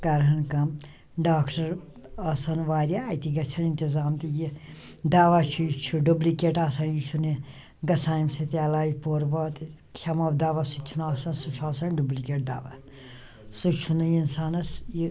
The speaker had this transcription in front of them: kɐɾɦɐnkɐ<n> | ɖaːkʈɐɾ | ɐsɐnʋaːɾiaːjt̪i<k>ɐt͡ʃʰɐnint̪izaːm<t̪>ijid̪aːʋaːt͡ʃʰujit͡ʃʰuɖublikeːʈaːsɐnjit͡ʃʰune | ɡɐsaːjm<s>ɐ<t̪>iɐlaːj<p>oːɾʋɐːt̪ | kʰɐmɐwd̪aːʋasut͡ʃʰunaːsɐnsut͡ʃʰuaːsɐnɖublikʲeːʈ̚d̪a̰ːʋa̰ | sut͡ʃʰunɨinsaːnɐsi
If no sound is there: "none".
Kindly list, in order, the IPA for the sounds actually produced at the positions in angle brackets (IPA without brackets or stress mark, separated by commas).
m, ɡ, t̪, s, t̪, p